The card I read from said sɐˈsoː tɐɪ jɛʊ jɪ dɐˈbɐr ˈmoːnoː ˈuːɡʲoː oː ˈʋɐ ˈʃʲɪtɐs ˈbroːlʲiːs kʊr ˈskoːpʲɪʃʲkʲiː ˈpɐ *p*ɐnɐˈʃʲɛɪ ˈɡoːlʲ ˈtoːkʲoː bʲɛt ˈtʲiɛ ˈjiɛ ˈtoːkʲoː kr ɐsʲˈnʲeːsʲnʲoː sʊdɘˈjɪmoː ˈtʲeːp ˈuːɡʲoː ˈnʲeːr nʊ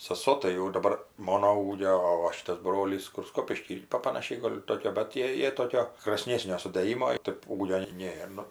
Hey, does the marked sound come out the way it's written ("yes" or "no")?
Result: yes